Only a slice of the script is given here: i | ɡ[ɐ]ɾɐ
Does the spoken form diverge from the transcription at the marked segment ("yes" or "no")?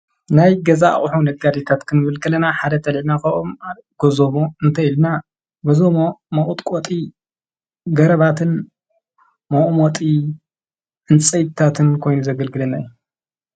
no